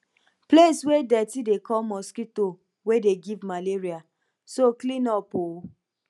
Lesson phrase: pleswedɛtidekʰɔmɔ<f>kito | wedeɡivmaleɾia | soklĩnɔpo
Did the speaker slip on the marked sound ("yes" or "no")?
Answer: yes